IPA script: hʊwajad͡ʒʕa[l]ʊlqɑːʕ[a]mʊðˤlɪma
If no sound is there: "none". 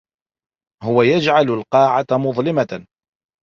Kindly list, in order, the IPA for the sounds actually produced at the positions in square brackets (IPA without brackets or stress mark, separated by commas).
l, a